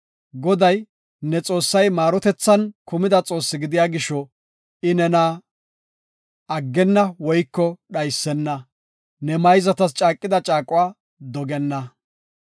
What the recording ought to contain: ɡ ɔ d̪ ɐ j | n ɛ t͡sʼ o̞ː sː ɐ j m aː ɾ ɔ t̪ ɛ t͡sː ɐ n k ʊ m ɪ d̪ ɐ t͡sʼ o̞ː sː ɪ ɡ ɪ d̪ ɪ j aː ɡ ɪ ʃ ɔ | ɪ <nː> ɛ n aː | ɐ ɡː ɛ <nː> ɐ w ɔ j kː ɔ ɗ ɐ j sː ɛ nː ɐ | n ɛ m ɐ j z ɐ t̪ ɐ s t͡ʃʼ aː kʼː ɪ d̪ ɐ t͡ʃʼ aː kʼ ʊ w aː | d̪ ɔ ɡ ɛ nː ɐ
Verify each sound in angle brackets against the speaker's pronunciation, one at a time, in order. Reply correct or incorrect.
incorrect: n, correct

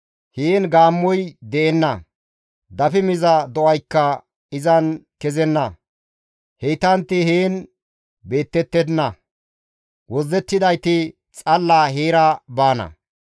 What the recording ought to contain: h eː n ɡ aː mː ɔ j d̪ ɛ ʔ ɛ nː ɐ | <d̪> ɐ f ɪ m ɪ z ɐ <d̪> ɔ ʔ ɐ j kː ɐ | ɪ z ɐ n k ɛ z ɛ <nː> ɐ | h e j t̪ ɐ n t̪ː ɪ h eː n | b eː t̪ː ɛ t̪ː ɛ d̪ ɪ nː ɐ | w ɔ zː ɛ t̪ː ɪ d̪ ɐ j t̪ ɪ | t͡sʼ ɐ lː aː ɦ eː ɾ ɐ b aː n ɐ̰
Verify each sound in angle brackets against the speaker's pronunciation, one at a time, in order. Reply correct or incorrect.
correct, correct, correct

